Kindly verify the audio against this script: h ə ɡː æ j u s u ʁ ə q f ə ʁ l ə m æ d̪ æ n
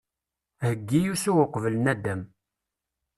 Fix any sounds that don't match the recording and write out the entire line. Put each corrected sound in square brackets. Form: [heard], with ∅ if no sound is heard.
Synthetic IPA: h ə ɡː [i] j u s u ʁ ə q [v] ə [∅] l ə [n] æ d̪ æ [m]